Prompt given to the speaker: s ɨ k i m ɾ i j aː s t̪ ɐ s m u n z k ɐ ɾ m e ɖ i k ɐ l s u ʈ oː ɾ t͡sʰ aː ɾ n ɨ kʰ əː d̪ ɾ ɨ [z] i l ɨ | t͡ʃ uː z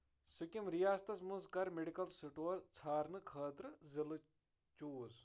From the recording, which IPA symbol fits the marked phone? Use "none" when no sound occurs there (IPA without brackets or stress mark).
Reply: z